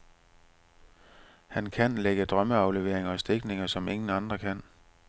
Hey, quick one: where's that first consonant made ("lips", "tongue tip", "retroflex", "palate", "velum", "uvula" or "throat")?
throat